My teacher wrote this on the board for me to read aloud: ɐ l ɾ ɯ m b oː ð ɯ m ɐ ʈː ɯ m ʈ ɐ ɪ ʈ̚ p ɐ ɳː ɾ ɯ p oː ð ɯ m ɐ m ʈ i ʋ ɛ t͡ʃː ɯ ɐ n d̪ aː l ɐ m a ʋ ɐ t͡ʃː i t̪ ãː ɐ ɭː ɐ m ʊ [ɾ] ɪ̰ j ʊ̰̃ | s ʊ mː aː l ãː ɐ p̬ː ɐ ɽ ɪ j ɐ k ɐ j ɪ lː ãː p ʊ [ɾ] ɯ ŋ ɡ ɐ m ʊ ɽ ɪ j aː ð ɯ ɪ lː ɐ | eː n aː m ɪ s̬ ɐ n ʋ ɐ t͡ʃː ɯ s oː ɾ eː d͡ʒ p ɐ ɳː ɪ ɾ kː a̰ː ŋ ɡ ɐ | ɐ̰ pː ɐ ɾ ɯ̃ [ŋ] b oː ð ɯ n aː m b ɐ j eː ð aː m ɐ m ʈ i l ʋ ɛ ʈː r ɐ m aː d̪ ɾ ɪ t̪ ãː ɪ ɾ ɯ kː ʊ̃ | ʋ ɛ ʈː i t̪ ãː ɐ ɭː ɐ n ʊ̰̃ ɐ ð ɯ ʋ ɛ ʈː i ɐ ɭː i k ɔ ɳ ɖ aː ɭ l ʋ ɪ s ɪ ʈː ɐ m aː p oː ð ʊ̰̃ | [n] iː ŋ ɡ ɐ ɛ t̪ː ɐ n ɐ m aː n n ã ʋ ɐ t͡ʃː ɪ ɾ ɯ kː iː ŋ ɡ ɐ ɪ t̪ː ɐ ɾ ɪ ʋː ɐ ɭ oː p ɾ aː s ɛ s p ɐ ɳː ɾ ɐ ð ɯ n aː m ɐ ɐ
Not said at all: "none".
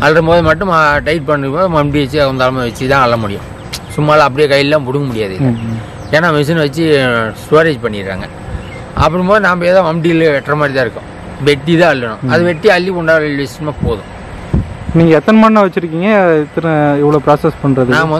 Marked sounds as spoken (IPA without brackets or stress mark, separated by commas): ɽ, ɽ, m, n